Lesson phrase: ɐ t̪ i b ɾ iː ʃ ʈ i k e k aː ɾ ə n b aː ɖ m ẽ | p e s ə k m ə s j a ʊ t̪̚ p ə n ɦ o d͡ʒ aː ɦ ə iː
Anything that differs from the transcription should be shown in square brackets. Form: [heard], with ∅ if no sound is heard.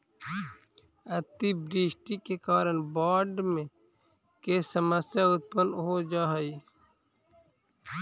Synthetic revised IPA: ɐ t̪ i b ɾ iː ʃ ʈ i k e k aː ɾ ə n b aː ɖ m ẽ | [k] e s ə [∅] m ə s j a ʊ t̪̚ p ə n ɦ o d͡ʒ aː ɦ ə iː